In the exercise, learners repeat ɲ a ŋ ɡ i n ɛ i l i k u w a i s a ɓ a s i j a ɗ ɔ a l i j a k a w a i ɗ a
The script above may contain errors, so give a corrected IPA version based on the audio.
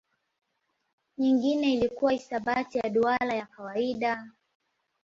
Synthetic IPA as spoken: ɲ i ŋ ɡ i n ɛ i l i k u w a i s a ɓ a t i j a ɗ u a l a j a k a w a i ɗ a